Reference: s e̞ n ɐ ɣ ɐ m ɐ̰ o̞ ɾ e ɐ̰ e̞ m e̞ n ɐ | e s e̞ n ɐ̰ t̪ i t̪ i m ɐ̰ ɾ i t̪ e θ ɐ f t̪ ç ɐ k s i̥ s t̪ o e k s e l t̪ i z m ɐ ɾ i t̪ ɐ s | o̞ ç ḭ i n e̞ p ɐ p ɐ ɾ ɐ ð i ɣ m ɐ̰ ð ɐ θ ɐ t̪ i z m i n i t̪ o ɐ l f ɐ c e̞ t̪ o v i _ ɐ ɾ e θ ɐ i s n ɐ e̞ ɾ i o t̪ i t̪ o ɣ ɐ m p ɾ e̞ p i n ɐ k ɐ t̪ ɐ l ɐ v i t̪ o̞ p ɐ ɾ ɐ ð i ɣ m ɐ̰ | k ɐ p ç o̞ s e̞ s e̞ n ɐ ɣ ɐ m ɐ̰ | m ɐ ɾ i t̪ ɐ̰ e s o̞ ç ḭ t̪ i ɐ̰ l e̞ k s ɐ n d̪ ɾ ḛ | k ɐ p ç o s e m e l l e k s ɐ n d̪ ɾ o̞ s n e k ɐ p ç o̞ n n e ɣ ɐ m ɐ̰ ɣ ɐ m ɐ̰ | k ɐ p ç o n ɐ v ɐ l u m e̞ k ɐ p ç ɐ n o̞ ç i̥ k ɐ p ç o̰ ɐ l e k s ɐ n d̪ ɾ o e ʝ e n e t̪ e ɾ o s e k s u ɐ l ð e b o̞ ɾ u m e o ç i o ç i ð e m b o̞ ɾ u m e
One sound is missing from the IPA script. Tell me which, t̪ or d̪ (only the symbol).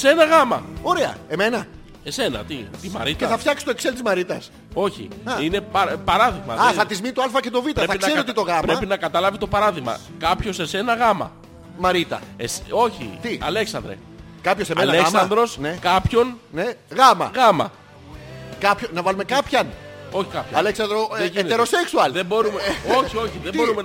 t̪